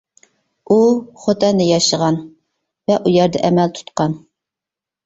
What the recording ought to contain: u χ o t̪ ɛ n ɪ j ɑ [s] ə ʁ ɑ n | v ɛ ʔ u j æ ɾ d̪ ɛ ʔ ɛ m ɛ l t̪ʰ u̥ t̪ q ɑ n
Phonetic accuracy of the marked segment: incorrect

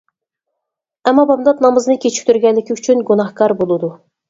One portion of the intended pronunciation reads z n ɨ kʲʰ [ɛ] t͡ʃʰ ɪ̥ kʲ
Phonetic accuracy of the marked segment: incorrect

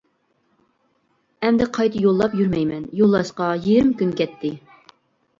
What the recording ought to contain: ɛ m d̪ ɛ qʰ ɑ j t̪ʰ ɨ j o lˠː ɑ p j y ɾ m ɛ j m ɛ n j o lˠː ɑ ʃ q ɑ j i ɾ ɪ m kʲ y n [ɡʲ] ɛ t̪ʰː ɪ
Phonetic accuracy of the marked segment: incorrect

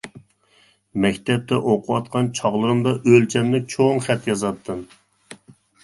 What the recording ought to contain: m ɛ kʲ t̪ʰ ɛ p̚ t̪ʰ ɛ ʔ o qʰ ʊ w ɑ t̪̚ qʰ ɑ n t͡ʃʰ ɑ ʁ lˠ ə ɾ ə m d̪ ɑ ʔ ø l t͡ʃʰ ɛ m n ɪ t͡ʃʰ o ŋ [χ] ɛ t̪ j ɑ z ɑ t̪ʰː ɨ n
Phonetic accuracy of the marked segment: correct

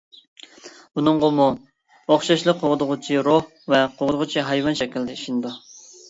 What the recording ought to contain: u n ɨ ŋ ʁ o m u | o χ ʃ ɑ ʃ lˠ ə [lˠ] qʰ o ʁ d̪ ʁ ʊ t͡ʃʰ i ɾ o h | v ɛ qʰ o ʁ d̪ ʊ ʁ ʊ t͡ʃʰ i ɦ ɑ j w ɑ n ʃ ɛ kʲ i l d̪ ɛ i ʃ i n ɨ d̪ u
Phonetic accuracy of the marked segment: incorrect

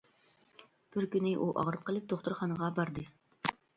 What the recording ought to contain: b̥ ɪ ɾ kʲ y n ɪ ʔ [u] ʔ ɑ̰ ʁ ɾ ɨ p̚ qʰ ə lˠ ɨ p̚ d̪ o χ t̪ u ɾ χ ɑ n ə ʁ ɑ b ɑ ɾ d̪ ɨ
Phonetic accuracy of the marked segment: correct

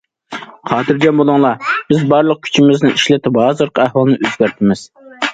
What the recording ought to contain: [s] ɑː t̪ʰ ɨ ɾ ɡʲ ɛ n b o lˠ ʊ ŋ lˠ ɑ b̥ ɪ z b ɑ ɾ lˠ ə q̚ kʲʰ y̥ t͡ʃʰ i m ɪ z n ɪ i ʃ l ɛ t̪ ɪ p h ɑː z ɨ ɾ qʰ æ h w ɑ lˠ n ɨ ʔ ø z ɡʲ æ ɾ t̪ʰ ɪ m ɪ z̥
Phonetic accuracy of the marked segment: incorrect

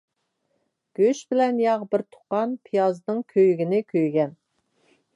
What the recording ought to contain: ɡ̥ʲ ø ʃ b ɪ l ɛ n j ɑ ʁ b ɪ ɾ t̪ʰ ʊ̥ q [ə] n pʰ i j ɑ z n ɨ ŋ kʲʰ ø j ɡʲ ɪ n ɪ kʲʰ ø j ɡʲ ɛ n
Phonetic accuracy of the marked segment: incorrect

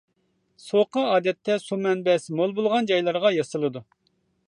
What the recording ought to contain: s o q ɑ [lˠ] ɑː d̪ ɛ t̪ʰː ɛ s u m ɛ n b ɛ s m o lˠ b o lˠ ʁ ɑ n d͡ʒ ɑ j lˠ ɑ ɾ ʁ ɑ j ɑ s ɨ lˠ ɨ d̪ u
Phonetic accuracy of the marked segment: incorrect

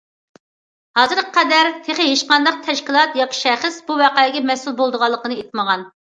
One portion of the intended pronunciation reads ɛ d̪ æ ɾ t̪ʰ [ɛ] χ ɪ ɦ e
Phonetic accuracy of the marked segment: incorrect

